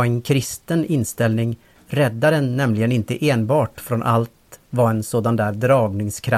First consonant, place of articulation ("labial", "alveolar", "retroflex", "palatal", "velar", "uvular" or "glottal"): alveolar